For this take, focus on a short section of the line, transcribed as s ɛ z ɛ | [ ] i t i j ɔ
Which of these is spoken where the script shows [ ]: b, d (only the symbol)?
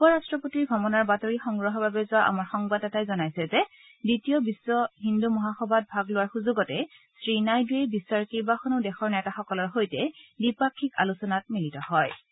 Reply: d